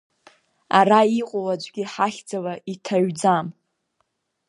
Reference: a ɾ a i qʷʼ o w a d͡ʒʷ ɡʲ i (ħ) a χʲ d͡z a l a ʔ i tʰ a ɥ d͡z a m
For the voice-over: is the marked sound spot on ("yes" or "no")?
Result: yes